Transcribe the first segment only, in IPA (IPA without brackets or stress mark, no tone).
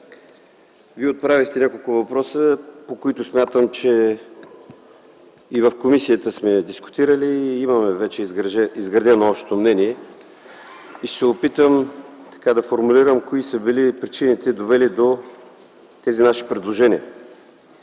v